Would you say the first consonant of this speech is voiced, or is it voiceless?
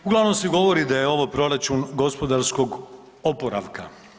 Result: voiced